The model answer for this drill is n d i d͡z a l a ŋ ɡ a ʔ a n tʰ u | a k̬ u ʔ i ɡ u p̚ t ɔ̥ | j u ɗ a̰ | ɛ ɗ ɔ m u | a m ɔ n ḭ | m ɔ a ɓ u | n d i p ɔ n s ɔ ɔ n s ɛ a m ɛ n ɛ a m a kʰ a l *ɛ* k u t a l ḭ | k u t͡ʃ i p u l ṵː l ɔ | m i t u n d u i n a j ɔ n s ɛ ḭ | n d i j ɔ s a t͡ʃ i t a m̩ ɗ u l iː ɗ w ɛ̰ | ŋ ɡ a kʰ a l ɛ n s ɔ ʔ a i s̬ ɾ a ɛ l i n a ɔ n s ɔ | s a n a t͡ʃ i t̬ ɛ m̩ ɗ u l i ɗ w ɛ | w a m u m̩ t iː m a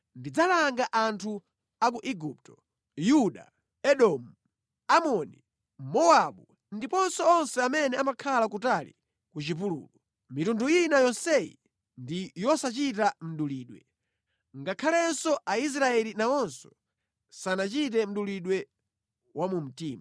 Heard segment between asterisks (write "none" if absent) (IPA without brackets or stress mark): a